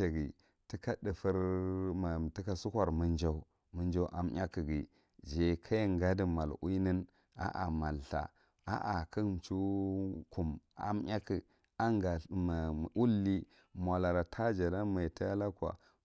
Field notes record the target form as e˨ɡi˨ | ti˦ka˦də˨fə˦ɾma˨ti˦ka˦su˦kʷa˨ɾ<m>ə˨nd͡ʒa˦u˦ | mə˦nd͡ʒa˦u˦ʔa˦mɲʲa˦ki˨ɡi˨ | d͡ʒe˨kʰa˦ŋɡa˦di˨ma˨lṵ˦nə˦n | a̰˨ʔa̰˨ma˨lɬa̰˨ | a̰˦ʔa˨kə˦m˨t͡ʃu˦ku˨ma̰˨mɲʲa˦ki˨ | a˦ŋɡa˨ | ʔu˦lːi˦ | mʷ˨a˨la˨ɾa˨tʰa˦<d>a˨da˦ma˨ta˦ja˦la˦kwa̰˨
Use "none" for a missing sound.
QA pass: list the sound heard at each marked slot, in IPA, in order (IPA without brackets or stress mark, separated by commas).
m, d͡ʒ